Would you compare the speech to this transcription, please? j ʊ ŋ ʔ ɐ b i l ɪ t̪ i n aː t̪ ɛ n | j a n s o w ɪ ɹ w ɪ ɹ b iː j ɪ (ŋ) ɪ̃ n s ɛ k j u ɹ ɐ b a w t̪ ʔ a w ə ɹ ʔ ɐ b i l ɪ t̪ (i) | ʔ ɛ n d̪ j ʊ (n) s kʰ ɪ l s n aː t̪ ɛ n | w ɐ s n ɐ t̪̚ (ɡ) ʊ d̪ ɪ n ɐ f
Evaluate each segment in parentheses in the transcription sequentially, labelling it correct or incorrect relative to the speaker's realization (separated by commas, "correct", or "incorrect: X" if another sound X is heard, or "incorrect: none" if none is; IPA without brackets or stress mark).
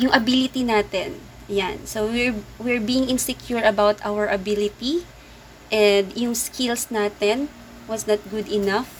correct, correct, incorrect: ŋ, correct